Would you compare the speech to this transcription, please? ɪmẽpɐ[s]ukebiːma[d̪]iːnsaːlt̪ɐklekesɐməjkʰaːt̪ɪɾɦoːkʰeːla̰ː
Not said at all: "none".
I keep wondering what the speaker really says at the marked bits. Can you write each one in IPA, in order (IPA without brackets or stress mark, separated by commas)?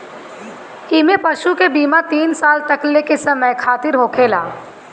ʃ, t̪